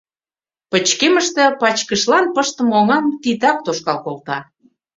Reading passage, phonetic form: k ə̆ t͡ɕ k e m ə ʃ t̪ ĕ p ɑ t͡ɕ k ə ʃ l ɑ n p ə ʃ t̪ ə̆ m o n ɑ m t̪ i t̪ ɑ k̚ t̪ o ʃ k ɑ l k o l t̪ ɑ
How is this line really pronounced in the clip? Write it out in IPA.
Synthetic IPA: p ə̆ t͡ɕ k e m ə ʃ t̪ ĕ p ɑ t͡ɕ k ə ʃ l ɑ n p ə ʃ t̪ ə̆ m o ŋ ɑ m t̪ i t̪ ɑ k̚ t̪ o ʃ k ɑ l k o l t̪ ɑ